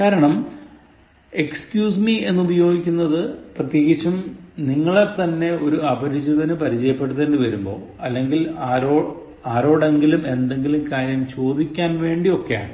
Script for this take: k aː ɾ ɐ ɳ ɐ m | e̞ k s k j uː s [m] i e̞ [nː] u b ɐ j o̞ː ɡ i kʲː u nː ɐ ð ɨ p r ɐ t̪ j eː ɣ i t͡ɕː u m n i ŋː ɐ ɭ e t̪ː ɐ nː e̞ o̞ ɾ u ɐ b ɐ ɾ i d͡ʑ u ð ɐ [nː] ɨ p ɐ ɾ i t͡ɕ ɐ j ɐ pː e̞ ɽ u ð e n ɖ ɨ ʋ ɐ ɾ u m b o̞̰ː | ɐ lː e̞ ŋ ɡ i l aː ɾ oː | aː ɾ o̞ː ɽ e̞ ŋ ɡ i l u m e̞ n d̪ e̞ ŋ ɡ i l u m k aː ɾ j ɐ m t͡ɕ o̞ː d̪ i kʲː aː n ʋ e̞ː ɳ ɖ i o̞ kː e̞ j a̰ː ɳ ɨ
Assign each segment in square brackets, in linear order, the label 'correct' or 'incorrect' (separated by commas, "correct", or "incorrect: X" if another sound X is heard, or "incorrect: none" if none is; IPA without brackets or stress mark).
correct, correct, incorrect: n